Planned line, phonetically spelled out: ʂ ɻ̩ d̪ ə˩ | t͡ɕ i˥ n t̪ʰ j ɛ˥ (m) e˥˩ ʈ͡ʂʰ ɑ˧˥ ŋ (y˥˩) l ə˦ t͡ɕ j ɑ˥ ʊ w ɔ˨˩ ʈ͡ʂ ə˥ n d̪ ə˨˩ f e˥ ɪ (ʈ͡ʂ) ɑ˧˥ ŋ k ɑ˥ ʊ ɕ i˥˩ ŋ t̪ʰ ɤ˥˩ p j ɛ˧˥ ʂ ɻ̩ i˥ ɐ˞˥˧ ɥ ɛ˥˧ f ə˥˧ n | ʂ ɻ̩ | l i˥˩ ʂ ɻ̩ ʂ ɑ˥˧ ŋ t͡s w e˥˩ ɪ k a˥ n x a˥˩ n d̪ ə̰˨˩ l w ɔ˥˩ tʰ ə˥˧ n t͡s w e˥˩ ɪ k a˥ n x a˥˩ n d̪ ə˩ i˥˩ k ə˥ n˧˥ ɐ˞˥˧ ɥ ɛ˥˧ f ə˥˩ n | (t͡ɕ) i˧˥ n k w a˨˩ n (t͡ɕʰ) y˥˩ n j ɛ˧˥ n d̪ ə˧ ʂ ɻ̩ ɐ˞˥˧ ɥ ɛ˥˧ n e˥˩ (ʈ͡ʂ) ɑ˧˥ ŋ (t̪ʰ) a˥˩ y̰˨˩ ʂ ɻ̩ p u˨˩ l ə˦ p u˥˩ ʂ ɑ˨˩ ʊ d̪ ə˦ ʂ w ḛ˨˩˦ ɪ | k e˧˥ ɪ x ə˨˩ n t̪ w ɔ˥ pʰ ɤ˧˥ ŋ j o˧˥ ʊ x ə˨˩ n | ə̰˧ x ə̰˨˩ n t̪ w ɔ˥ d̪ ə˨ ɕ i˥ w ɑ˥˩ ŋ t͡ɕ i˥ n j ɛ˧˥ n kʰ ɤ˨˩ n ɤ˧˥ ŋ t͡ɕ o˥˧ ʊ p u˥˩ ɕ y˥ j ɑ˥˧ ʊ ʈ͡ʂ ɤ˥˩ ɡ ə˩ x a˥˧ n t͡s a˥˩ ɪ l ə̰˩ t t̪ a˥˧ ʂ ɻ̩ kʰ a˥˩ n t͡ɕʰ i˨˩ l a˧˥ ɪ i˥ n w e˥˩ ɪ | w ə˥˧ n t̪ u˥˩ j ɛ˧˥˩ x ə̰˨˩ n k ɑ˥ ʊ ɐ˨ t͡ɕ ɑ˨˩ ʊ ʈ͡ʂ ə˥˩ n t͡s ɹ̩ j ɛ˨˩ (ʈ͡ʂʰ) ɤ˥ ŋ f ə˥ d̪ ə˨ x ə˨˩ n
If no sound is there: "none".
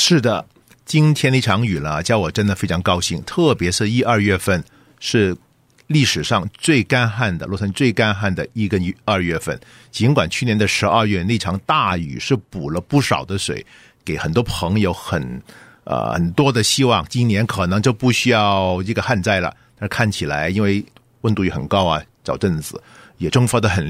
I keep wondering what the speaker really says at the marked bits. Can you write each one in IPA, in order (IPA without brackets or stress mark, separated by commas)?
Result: n, y˨˩, ʈ͡ʂʰ, t͡ɕ, t͡ɕʰ, ʈ͡ʂʰ, t̪, ʈ͡ʂ